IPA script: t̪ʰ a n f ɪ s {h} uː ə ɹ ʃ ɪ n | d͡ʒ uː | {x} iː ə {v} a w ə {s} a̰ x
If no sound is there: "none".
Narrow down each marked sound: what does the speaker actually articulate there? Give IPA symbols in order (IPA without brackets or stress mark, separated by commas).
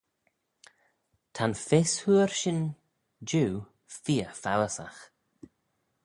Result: h, f, f, s